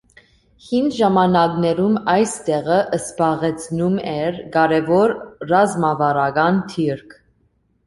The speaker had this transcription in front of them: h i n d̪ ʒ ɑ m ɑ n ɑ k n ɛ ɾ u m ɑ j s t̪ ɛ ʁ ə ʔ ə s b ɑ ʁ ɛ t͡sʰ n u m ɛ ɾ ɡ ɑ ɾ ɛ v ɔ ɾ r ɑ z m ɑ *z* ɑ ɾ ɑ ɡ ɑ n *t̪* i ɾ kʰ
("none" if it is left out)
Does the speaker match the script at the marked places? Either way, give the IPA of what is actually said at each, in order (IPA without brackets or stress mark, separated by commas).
v, t̪ʰ